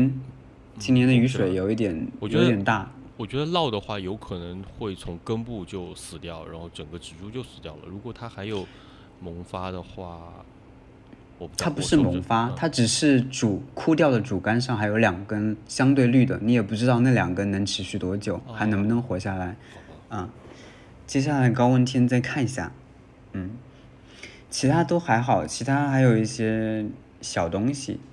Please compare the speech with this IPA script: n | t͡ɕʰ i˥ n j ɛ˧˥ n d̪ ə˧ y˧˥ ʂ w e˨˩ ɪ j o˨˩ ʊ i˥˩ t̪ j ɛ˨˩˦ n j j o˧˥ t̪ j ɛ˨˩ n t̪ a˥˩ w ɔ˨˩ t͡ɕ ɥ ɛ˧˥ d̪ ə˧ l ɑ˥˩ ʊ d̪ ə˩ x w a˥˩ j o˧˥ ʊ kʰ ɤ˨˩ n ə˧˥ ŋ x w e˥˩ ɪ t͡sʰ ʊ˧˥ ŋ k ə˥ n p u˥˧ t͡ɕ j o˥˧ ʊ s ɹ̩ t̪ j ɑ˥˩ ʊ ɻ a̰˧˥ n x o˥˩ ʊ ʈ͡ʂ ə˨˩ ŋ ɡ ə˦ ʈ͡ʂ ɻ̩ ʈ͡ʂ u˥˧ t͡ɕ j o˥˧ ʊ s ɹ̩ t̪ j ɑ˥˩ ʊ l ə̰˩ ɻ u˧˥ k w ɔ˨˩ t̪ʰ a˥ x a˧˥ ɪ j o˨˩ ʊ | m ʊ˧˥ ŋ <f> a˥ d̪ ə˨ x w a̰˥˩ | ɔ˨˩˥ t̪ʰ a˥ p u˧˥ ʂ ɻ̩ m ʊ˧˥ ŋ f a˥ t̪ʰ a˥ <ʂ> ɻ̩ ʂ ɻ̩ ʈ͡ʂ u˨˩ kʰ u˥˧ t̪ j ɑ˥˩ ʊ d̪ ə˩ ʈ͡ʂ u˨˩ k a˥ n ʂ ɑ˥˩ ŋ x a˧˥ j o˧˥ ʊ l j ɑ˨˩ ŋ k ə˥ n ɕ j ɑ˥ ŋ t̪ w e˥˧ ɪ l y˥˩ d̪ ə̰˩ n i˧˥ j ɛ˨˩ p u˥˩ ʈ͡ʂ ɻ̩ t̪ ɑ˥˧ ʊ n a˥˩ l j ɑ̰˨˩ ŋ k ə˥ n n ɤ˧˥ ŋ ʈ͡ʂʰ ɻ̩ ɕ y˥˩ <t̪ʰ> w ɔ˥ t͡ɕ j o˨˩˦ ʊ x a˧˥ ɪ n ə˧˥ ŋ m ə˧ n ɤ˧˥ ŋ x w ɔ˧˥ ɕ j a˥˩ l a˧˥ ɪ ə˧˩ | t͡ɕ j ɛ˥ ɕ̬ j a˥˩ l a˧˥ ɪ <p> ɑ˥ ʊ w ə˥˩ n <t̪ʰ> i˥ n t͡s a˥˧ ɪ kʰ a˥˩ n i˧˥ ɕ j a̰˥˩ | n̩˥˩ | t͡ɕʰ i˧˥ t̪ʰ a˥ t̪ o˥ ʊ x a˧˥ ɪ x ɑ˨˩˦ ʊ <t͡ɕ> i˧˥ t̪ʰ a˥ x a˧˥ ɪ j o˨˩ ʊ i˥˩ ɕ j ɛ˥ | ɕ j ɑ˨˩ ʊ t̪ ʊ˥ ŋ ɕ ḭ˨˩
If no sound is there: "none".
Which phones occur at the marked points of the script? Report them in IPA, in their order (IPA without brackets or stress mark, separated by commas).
f, ʈ͡ʂ, t̪, k, t̪ʰ, t͡ɕʰ